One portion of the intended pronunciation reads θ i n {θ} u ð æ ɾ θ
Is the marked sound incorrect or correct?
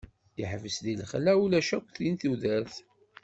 correct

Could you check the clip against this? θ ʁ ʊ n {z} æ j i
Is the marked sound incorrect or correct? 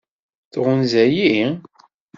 correct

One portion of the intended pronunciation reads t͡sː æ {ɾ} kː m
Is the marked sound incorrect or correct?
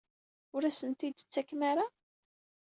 incorrect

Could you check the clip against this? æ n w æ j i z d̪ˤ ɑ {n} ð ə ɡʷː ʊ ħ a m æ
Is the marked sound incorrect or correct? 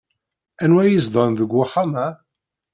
correct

